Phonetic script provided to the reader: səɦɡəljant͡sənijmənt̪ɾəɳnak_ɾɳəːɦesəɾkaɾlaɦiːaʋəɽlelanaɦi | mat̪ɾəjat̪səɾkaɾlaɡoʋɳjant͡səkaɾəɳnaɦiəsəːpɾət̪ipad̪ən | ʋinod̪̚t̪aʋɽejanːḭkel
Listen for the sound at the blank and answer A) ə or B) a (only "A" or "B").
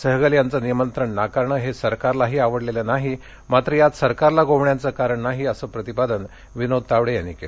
B